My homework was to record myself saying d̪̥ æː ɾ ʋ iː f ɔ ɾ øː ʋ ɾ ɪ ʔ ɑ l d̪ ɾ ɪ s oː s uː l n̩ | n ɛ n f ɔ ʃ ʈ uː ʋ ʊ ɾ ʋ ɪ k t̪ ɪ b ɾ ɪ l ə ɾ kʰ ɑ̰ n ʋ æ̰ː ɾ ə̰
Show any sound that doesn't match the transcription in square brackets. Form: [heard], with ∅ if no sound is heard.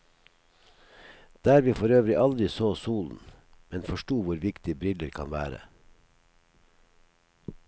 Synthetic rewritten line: d̪̥ æː ɾ ʋ iː f ɔ ɾ øː ʋ ɾ ɪ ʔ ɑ l d̪ ɾ ɪ s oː s uː l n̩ | [m] ɛ n f ɔ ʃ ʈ uː ʋ ʊ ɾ ʋ ɪ k t̪ ɪ b ɾ ɪ l ə ɾ kʰ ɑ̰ n ʋ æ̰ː ɾ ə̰